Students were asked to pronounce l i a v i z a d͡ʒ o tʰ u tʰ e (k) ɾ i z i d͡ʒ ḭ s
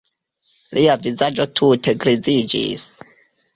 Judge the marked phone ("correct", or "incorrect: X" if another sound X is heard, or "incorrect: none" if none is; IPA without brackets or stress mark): incorrect: ɡ